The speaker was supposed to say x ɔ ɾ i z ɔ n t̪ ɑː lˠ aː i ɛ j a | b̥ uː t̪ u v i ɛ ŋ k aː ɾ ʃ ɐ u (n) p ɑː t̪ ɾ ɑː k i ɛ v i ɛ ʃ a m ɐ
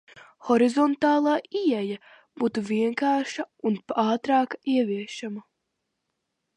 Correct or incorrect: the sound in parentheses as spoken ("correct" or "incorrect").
correct